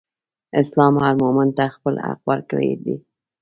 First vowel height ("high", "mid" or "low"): high